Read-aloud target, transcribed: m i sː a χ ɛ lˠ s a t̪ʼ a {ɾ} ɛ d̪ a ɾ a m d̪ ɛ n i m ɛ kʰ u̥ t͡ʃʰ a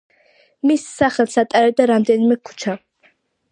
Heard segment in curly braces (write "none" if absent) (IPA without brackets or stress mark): ɾ